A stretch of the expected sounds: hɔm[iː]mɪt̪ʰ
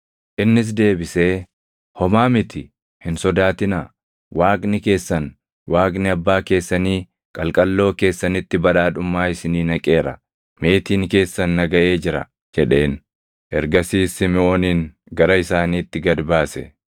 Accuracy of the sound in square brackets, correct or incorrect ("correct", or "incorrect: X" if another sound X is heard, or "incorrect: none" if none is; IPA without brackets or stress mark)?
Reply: incorrect: aː